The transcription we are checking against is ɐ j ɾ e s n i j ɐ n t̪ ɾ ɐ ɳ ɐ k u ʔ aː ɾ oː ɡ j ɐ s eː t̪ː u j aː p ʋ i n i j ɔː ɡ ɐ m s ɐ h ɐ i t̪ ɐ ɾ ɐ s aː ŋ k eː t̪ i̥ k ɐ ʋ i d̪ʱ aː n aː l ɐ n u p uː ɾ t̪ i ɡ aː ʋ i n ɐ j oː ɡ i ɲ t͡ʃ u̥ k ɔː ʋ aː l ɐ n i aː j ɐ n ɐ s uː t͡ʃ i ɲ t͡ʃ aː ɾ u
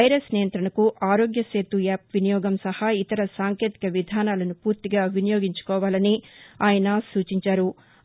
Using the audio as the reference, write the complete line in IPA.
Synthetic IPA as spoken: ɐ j ɾ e s n i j ɐ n t̪ ɾ ɐ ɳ ɐ k u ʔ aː ɾ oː ɡ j ɐ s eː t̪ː u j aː p ʋ i n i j ɔː ɡ ɐ m s ɐ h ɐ i t̪ ɐ ɾ ɐ s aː ŋ k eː t̪ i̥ k ɐ ʋ i d̪ʱ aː n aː l ɐ n u p uː ɾ t̪ i ɡ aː ʋ i n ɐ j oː ɡ i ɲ t͡ʃ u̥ k ɔː ʋ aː l ɐ n i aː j ɐ n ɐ s uː t͡ʃ i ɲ t͡ʃ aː ɾ u